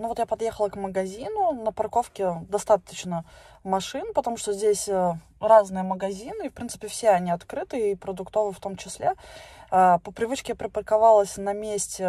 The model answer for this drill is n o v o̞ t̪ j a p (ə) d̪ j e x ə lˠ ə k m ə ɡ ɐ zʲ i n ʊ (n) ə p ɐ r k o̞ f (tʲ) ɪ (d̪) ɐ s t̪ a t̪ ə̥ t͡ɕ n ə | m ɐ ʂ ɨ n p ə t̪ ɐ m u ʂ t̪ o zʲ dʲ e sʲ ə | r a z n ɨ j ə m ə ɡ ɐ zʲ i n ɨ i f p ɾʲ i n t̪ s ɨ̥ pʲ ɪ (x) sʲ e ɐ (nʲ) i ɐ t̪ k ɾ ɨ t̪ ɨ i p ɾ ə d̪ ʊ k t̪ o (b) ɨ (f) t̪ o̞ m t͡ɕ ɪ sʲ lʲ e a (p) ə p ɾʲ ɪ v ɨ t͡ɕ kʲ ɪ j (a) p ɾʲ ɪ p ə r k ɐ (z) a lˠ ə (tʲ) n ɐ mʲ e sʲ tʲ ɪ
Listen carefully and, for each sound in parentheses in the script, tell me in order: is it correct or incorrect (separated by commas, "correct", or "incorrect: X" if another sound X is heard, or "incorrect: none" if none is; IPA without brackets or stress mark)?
incorrect: ɐ, correct, incorrect: kʲ, correct, incorrect: f, correct, incorrect: v, correct, correct, correct, incorrect: v, incorrect: sʲ